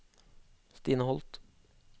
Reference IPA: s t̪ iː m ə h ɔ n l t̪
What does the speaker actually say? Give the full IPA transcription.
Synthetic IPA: s t̪ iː n ə h ɔ l t̪